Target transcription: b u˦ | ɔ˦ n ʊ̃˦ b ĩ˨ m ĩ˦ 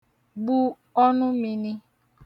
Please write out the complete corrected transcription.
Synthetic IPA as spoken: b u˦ | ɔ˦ n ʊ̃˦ m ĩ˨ n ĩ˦